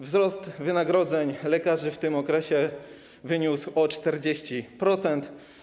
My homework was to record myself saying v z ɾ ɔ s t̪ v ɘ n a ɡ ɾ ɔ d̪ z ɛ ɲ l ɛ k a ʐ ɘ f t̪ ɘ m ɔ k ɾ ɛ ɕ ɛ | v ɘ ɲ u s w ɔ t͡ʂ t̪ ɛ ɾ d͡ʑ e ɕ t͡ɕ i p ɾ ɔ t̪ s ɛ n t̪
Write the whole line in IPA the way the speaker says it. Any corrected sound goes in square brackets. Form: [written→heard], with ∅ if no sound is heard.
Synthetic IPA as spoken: v z ɾ ɔ s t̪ v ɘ n a ɡ ɾ ɔ d̪ z ɛ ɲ l ɛ k a ʐ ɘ f t̪ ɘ m ɔ k ɾ ɛ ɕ ɛ | v ɘ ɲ u s w ɔ t͡ʂ t̪ ɛ ɾ d͡ʑ e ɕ t͡ɕ i p ɾ ɔ t̪ s ɛ n t̪